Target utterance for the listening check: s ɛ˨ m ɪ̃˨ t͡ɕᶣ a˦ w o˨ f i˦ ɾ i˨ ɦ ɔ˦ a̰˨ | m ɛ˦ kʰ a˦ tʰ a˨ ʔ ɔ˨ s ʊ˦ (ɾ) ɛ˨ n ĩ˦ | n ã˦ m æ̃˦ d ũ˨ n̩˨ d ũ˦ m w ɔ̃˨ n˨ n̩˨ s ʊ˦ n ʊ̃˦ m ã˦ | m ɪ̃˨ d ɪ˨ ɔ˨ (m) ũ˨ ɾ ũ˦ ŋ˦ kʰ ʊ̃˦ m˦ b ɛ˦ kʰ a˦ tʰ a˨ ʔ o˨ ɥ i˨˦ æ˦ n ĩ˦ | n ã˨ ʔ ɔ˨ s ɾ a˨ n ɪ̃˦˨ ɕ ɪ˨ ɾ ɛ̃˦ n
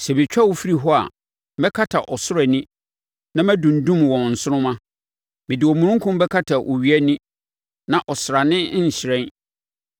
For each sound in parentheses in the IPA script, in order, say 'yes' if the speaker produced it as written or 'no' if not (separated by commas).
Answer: yes, yes